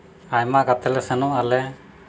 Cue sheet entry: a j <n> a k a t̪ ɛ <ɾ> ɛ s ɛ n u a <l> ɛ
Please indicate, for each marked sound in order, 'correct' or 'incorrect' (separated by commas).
incorrect, incorrect, correct